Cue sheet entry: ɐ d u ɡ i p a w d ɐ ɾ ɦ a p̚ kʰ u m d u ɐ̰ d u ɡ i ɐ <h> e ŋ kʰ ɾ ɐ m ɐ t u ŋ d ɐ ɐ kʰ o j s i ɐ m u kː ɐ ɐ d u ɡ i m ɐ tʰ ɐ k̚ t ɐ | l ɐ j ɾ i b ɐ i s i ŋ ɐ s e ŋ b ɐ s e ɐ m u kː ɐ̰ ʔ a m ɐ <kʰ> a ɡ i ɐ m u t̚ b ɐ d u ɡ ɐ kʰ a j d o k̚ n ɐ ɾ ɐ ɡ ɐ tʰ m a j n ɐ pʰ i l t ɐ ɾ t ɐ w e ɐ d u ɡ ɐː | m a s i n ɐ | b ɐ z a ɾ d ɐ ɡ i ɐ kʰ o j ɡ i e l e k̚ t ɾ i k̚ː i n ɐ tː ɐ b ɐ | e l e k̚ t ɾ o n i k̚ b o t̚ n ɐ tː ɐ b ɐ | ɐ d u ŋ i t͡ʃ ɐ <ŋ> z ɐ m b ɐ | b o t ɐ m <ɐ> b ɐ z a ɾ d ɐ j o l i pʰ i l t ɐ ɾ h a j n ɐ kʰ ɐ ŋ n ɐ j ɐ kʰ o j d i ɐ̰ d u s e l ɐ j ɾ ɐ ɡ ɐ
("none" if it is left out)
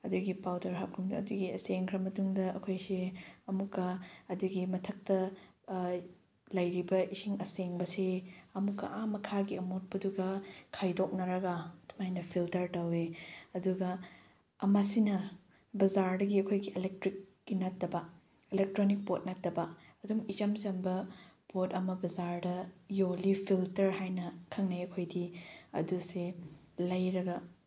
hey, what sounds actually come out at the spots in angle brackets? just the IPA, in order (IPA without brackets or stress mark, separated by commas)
s, kʰ, m, ɐ